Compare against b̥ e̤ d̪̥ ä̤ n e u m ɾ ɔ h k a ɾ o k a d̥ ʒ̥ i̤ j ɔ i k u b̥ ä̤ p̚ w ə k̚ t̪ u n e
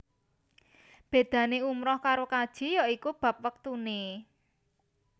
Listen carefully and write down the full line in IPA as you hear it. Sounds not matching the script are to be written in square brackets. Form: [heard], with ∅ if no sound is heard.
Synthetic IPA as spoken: b̥ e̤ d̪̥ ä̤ n e u m ɾ ɔ h k a ɾ o k a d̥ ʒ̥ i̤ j ɔ i k u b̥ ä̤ p̚ w ə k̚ t̪ u n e